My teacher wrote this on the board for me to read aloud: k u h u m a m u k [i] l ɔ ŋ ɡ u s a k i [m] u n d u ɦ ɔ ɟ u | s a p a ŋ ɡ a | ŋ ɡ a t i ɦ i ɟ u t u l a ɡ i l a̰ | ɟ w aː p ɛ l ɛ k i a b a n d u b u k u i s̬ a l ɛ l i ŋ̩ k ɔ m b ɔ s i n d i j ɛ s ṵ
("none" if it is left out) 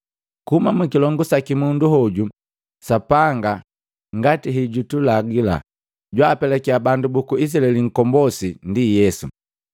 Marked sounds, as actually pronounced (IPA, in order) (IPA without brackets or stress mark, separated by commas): i, m